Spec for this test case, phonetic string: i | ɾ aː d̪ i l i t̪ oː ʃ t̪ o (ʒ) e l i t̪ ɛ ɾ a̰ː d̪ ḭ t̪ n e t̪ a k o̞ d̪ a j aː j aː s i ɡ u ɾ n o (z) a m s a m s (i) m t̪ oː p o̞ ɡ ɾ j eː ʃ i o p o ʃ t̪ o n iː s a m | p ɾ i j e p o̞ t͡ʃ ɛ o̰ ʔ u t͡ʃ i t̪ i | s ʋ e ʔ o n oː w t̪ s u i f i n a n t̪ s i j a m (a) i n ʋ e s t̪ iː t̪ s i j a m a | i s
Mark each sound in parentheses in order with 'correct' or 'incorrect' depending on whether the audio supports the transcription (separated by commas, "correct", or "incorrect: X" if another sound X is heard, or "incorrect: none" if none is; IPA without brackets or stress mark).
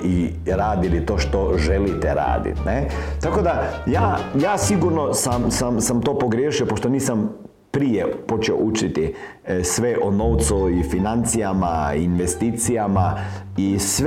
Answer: correct, incorrect: s, incorrect: a, correct